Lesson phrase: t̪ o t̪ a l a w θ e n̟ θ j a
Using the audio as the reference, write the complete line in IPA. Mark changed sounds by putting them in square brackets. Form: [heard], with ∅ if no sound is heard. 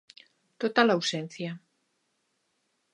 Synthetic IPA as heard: t̪ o t̪ a l a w [s] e n̟ θ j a